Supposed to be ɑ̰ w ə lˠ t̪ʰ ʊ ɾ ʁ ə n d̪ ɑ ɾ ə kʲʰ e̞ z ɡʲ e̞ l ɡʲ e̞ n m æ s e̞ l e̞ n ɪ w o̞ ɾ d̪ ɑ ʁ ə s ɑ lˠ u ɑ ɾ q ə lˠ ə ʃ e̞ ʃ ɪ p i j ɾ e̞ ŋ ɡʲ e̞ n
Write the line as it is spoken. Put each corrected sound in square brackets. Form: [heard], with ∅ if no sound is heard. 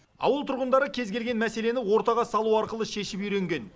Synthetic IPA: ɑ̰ w ə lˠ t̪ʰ ʊ ɾ ʁ ə n d̪ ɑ ɾ ə kʲʰ e̞ z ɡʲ e̞ l ɡʲ e̞ n m æ s e̞ l e̞ n ɪ w o̞ ɾ [t̪] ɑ ʁ [ɑ] s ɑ lˠ u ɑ ɾ q ə lˠ ə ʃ e̞ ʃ ɪ p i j ɾ e̞ ŋ ɡʲ e̞ n